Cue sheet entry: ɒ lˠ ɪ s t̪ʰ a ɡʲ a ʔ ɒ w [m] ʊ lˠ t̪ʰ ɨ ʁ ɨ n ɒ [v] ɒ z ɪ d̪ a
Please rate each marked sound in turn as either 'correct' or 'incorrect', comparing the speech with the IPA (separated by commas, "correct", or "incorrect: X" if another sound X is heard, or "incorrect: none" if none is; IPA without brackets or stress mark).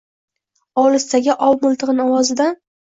correct, incorrect: w